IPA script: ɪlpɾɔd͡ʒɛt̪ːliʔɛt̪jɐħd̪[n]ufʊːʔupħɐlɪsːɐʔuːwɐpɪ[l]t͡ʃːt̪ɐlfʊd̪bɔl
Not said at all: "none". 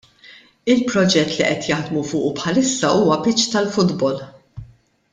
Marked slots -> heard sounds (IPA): m, none

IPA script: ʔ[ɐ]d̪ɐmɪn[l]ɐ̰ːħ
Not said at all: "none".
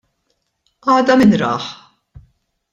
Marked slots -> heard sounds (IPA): ɐː, ɾ

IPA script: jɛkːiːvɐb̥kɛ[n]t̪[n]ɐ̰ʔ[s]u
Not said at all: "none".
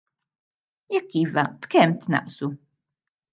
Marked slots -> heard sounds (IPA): m, n, s

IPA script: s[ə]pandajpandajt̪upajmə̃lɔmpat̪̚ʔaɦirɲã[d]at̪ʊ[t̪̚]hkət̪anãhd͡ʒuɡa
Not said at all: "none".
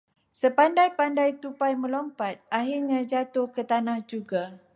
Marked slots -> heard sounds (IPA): ə, d͡ʒ, none

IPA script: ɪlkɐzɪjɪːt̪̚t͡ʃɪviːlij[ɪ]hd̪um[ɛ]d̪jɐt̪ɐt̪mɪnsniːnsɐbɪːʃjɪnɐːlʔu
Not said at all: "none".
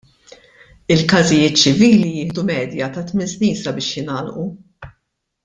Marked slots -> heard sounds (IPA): ɪː, ɛː

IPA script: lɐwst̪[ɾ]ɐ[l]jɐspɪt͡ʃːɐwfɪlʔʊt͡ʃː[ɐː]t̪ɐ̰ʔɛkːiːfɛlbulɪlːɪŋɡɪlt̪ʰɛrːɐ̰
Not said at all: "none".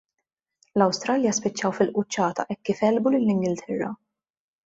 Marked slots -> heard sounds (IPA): ɾ, l, ɐː

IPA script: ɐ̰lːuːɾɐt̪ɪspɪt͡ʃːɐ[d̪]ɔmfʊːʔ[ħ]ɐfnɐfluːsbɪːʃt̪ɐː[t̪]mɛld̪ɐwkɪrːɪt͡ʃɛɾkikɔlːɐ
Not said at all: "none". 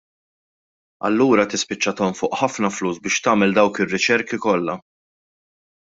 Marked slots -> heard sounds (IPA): t̪, ħ, none

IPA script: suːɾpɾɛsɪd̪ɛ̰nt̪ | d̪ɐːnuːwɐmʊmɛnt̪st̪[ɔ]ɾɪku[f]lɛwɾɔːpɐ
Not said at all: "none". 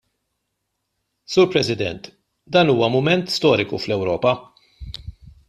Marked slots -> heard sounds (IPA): ɔː, f

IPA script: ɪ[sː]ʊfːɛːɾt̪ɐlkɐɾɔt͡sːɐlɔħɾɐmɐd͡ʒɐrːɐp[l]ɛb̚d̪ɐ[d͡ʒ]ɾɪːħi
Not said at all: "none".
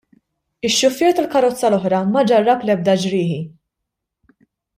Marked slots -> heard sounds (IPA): ʃː, l, d͡ʒ

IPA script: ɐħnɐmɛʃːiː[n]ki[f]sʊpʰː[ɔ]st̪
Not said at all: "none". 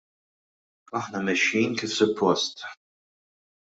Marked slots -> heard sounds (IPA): n, f, ɔ

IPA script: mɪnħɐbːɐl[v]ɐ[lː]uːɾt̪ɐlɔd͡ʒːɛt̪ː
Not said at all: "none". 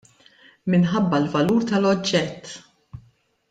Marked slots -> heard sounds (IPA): v, l

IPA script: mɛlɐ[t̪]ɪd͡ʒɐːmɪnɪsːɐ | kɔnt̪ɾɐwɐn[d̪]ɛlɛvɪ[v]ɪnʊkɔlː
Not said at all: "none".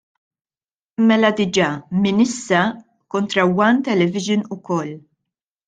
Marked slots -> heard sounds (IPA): d̪, t̪, ʒ

